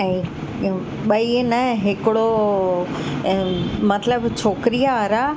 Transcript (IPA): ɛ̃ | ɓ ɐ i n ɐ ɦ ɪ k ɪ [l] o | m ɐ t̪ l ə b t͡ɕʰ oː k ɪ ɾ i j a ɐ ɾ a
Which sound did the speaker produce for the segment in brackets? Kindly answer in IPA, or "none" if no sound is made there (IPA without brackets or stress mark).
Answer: ɽ